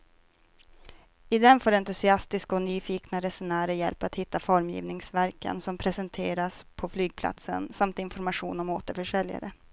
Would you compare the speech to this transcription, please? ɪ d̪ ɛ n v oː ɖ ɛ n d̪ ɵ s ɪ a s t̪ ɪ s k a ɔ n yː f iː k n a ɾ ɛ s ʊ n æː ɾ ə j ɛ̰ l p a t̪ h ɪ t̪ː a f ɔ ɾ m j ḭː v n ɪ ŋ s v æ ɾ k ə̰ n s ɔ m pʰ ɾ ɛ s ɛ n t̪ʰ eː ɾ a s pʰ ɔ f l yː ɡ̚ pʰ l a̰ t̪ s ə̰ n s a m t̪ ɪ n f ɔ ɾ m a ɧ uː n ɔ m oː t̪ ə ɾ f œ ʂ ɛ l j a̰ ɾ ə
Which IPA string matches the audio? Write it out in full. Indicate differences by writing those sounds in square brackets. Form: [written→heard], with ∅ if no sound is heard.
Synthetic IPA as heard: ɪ d̪ ɛ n [v→f] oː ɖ ɛ n [d̪→t̪] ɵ s ɪ a s t̪ ɪ s k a ɔ n yː f iː k n a ɾ ɛ s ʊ n æː ɾ ə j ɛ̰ l p a t̪ h ɪ t̪ː a f ɔ ɾ m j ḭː v n ɪ ŋ s v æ ɾ k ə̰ n s ɔ m pʰ ɾ ɛ s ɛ n t̪ʰ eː ɾ a s pʰ ɔ f l yː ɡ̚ pʰ l a̰ t̪ s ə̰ n s a m t̪ ɪ n f ɔ ɾ m a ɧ uː n ɔ m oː t̪ ə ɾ f œ ʂ ɛ l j a̰ ɾ ə